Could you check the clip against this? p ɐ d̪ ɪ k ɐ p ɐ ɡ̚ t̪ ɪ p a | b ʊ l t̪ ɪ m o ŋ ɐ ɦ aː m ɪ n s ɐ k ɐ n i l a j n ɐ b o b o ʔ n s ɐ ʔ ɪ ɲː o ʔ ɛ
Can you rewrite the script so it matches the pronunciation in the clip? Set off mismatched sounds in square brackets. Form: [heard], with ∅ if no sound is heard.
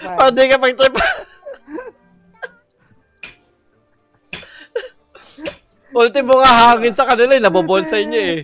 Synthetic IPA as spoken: p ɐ d̪ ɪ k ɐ p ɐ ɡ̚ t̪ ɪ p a | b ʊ l t̪ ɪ m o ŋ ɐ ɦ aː [ŋ] ɪ n s ɐ k ɐ n [ɪ] l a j n ɐ b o b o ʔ n s ɐ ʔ ɪ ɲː o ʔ ɛ